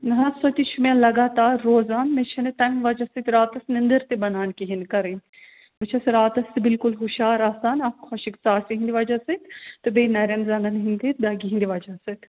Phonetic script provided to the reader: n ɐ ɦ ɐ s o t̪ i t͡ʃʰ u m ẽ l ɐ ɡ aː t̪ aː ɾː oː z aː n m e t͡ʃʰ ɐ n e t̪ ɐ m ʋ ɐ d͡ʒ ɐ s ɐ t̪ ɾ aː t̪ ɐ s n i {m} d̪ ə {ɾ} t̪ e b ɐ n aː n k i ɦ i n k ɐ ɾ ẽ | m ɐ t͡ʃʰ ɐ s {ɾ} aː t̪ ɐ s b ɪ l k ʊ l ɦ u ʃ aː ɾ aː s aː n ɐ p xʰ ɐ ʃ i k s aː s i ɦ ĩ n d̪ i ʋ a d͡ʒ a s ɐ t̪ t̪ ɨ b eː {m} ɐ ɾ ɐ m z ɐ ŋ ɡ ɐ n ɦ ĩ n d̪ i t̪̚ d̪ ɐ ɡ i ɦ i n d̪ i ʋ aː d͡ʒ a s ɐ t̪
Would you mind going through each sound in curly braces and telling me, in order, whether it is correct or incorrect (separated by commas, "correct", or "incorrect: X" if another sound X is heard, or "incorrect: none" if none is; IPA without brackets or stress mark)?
incorrect: n, correct, correct, incorrect: n